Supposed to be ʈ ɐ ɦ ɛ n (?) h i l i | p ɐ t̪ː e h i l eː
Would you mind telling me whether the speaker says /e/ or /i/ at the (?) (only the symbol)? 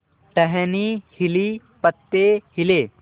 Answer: i